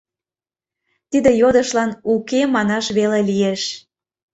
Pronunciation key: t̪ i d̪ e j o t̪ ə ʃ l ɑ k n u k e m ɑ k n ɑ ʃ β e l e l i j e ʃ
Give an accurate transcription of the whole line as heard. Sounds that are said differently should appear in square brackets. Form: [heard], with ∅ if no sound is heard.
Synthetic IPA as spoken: t̪ i d̪ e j o [d̪] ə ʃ l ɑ [∅] n u k e m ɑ [∅] n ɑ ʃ β e l e l i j e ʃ